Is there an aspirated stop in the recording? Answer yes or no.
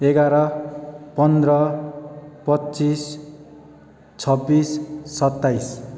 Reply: yes